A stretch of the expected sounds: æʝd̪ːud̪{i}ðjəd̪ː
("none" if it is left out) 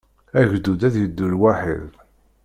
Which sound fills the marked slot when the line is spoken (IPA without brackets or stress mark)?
æ